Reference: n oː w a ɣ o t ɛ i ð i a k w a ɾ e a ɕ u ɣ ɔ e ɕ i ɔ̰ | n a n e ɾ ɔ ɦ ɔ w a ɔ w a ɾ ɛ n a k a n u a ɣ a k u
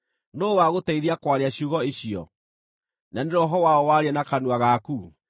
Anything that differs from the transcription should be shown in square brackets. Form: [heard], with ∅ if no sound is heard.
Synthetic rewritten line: n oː w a ɣ o t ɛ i ð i a k w a ɾ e a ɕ u ɣ ɔ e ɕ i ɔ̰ | n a n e ɾ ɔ ɦ ɔ w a ɔ w a ɾ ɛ n a k a n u a ɣ a k u